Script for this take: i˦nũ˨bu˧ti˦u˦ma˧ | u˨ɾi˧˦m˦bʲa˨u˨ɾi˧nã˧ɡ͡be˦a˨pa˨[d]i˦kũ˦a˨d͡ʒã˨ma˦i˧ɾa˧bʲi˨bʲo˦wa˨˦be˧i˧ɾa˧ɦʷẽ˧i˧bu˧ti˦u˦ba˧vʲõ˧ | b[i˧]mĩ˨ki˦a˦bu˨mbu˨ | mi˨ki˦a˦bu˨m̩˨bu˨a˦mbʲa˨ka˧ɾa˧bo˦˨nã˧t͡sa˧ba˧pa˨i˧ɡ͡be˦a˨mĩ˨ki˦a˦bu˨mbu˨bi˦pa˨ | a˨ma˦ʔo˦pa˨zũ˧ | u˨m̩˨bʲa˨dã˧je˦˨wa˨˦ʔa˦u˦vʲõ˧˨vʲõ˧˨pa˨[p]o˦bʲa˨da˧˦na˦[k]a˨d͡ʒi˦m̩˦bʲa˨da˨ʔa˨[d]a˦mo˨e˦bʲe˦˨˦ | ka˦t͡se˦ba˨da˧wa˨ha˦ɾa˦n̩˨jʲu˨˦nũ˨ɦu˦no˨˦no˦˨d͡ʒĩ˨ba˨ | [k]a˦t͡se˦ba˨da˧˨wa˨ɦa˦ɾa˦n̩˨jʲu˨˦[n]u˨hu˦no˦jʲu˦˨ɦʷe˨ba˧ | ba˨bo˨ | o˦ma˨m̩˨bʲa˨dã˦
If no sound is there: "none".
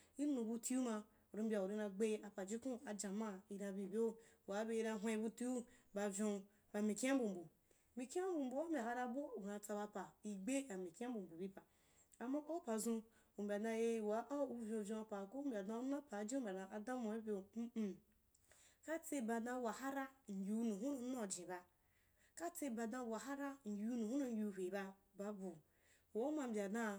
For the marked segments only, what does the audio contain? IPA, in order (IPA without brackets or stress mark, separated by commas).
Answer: d͡ʒ, a˧, k, p, d, k, n